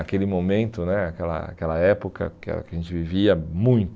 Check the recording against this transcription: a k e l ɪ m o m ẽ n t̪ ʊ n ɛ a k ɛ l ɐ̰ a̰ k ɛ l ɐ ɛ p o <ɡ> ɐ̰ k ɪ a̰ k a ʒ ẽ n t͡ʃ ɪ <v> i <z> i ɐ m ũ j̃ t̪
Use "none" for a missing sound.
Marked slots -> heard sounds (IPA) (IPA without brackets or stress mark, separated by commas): k, v, v